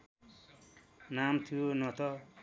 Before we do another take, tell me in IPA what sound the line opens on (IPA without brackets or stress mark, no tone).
n